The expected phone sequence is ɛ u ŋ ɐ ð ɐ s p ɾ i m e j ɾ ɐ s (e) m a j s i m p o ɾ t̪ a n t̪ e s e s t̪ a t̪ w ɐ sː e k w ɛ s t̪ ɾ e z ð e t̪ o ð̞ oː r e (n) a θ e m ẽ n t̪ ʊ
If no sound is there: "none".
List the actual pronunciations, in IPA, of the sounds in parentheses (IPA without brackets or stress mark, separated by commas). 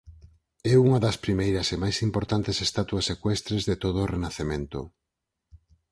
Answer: e, n